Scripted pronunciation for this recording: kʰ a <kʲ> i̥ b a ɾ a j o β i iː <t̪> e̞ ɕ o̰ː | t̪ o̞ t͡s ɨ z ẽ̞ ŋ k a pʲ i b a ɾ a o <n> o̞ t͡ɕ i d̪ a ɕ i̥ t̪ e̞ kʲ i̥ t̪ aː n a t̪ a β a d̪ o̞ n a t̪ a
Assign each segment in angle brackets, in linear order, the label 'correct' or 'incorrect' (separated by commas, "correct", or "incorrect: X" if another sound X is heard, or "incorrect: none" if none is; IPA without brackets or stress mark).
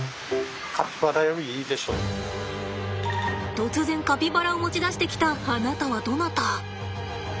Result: incorrect: pʲ, incorrect: d̪, incorrect: m